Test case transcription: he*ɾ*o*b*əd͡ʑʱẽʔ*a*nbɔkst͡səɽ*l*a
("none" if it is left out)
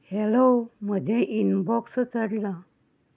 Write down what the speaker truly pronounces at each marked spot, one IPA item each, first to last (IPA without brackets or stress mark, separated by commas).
l, m, i, l